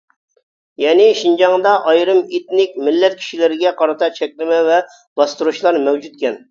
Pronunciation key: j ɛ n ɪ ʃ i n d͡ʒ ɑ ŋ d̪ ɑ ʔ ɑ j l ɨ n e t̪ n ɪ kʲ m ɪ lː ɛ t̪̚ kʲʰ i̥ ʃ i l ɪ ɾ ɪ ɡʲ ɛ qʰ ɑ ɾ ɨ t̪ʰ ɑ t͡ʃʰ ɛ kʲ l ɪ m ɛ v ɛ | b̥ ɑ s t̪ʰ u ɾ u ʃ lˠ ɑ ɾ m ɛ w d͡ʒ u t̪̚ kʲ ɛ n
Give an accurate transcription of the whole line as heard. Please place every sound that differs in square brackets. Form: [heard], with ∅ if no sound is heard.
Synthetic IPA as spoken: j ɛ n ɪ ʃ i n d͡ʒ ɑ ŋ d̪ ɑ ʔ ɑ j [ɾ] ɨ [m] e t̪ n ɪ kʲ m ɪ lː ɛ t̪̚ kʲʰ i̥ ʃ i l ɪ ɾ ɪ ɡʲ ɛ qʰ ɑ ɾ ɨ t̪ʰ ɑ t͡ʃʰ ɛ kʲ l ɪ m ɛ v ɛ | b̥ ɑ s [t̪] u ɾ u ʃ lˠ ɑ ɾ m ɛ w d͡ʒ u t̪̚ kʲ ɛ n